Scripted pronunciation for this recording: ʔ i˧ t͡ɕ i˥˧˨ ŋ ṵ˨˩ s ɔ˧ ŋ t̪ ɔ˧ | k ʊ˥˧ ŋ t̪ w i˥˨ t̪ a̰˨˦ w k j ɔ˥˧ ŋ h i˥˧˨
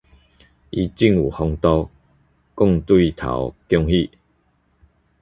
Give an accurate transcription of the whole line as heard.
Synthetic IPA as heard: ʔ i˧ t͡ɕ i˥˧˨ ŋ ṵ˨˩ h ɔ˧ ŋ t̪ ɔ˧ | k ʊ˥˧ ŋ t̪ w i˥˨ t̪ʰ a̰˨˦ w k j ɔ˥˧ ŋ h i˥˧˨